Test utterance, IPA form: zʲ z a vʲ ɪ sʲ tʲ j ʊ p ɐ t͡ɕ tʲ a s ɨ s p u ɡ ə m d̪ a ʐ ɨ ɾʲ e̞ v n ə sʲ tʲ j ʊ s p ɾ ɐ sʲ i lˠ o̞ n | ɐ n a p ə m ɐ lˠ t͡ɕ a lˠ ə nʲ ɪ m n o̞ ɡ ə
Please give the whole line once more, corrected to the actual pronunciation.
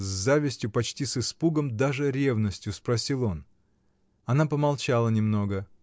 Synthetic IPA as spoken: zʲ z a vʲ ɪ sʲ tʲ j ʊ p ɐ t͡ɕ tʲ i s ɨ s p u ɡ ə m d̪ a ʐ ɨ ɾʲ e̞ v n ə sʲ tʲ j ʊ s p ɾ ɐ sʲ i lˠ o̞ n | ɐ n a p ə m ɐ lˠ t͡ɕ a lˠ ə nʲ ɪ m n o̞ ɡ ə